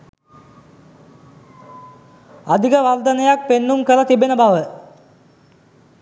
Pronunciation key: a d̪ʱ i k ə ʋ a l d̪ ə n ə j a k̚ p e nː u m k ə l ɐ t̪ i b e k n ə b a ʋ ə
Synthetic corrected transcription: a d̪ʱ i k ə ʋ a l d̪ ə n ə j a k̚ p e nː u m k ə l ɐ t̪ i b e n ə b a ʋ ə